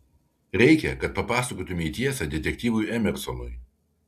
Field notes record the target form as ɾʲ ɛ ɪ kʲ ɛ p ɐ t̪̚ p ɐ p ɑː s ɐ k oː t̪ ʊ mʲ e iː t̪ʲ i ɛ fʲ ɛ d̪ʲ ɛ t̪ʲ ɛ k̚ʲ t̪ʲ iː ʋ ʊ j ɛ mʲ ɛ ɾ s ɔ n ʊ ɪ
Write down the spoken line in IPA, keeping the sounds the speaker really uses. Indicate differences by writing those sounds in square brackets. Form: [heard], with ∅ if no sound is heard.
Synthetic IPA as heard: ɾʲ ɛ ɪ kʲ ɛ [k] ɐ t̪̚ p ɐ p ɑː s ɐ k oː t̪ ʊ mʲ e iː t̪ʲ i ɛ [sʲ] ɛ d̪ʲ ɛ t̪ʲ ɛ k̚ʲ t̪ʲ iː ʋ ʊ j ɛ mʲ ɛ ɾ s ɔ n ʊ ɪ